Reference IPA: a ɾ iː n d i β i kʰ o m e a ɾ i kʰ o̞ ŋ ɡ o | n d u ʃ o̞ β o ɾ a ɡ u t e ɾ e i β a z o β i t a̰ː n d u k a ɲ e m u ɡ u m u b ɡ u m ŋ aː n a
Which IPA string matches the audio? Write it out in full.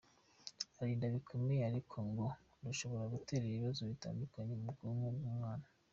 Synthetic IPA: a ɾ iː n d a β i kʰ o m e a ɾ i kʰ o̞ ŋ ɡ o | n d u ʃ o̞ β o ɾ a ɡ u t e ɾ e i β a z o β i t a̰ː n d u k a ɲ e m u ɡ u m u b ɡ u m ŋ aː n a